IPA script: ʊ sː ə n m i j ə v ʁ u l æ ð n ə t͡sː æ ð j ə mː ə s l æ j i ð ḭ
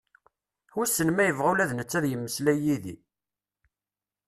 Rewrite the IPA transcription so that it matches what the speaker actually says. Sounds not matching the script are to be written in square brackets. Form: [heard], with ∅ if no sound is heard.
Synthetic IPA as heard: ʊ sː ə n m [æ] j ə v ʁ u l æ ð n ə t͡sː æ ð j ə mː ə s l æ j i ð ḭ